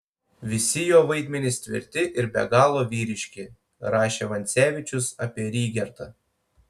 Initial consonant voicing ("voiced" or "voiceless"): voiced